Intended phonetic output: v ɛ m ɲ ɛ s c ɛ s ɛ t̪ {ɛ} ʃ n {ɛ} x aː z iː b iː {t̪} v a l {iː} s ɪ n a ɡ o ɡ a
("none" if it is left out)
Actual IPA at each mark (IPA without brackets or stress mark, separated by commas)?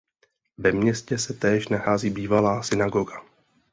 ɛː, a, none, aː